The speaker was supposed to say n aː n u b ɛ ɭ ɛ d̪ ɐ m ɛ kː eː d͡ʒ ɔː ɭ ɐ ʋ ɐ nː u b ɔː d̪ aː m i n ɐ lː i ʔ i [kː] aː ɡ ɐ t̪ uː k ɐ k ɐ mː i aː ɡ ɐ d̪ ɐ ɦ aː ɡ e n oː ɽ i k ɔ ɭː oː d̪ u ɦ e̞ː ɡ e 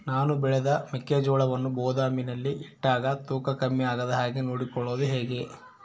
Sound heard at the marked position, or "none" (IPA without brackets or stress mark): ʈː